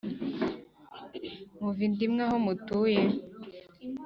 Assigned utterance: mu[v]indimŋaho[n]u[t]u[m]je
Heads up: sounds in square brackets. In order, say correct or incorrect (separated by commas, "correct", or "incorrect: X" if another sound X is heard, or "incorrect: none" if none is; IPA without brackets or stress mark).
correct, incorrect: m, correct, incorrect: none